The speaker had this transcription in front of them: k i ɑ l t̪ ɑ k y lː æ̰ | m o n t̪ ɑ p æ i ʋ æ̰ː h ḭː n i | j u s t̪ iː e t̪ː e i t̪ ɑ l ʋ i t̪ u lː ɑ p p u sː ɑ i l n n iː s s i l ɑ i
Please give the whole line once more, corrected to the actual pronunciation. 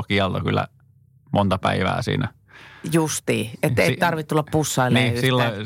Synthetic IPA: k i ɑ l t̪ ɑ k y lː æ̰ | m o n t̪ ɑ p æ i ʋ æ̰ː s ḭː n æ | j u s t̪ iː e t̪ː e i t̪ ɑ r ʋ i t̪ u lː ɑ p p u sː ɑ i l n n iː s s i lː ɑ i